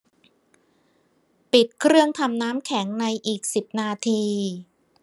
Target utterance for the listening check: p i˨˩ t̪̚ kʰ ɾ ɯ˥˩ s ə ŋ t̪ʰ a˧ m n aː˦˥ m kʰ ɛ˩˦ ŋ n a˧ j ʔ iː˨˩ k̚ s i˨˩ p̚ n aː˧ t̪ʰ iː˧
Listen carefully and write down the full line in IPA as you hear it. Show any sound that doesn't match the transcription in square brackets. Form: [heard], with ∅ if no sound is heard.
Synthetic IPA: p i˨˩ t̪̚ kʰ ɾ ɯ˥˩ [∅] ə ŋ t̪ʰ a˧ m n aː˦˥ m kʰ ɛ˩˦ ŋ n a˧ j ʔ iː˨˩ k̚ s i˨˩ p̚ n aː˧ t̪ʰ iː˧